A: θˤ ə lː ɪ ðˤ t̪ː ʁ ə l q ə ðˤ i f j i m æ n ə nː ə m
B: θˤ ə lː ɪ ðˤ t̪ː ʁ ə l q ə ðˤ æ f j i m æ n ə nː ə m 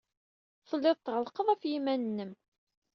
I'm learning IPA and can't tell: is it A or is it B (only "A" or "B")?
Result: B